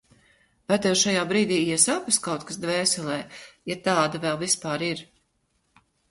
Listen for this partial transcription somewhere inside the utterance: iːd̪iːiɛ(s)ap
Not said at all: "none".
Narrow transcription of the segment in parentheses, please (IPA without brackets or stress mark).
s